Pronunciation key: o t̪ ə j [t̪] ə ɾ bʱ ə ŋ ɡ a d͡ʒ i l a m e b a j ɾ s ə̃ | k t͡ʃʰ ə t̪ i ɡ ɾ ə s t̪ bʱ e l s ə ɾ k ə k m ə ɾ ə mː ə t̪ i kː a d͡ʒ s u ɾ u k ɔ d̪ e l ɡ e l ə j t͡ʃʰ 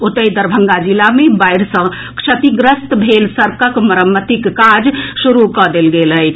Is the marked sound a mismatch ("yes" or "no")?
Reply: yes